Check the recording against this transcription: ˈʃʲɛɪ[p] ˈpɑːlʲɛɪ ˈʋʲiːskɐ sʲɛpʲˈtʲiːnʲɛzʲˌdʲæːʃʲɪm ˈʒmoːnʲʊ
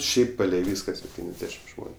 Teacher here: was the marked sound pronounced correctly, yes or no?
yes